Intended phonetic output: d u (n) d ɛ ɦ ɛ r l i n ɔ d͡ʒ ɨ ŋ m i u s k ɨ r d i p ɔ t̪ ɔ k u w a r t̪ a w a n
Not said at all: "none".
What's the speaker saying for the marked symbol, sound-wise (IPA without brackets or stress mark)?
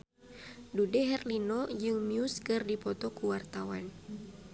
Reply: none